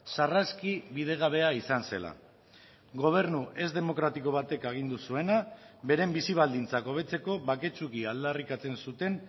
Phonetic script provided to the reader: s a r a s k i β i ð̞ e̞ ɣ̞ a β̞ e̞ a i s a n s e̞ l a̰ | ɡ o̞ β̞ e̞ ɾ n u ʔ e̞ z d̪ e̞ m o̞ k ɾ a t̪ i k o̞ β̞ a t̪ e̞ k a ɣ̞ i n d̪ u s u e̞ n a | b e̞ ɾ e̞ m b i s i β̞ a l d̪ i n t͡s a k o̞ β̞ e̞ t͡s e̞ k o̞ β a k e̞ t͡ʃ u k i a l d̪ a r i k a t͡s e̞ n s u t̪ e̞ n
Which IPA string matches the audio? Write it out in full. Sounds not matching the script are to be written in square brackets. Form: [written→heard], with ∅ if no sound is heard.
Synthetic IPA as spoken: s a r a s k i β i ð̞ e̞ ɣ̞ a β̞ e̞ a i s a n s e̞ l a̰ | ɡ o̞ β̞ e̞ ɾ n u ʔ e̞ z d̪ e̞ m o̞ k ɾ a t̪ i k o̞ β̞ a t̪ e̞ k a ɣ̞ i n d̪ u s u e̞ n a | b e̞ ɾ e̞ m b i s i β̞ a l d̪ i n t͡s a k o̞ β̞ e̞ t͡s e̞ k o̞ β a k e̞ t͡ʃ u k i a l d̪ a r i k a t͡s e̞ n s u t̪ e̞ n